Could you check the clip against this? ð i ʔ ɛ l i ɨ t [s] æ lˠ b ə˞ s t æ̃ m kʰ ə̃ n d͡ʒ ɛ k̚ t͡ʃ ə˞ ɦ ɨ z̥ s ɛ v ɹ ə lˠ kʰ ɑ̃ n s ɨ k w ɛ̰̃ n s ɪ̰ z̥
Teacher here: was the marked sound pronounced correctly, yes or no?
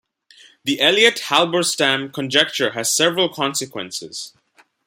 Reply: no